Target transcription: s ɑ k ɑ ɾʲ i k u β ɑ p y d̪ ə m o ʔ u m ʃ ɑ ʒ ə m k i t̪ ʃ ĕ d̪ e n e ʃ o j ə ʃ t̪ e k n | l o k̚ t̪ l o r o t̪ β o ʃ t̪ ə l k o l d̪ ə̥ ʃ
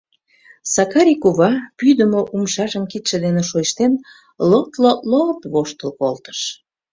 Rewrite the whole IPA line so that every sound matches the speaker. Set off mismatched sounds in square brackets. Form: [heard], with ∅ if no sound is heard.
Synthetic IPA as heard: s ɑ k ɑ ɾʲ i k u β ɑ p y d̪ ə m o ʔ u m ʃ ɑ ʒ ə m k i t̪ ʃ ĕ d̪ e n e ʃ o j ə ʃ t̪ e [∅] n | l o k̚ t̪ l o [l] o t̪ β o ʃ t̪ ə l k o l [t̪] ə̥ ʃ